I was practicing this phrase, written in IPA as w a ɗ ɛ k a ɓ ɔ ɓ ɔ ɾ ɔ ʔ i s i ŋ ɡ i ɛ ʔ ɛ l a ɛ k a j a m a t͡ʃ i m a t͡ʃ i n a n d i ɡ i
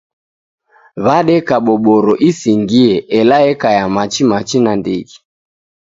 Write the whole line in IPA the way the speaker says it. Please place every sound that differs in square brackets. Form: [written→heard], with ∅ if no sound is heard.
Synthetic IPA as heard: [w→β] a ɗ ɛ k a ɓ ɔ ɓ ɔ ɾ ɔ ʔ i s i ŋ ɡ i ɛ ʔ ɛ l a ɛ k a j a m a t͡ʃ i m a t͡ʃ i n a n d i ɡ i